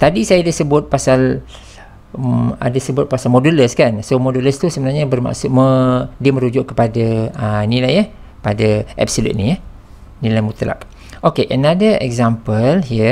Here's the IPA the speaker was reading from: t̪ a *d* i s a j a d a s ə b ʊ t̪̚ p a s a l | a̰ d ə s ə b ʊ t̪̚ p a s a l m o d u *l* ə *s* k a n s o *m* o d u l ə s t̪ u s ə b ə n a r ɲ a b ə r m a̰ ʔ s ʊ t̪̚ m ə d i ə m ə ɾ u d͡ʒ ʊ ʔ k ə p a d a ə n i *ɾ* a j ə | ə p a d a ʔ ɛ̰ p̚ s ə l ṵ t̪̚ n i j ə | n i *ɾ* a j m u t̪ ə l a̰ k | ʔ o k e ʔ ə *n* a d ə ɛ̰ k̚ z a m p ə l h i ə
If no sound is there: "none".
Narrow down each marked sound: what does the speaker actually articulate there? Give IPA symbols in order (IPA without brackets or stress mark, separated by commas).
d, l, s, m, l, l, n